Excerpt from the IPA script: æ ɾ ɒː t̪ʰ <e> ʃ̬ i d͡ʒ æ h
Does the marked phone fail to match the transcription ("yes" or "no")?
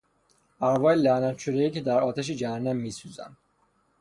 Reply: yes